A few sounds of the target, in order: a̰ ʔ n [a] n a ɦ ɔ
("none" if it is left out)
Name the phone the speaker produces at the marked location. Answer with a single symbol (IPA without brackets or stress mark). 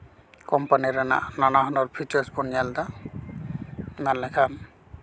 a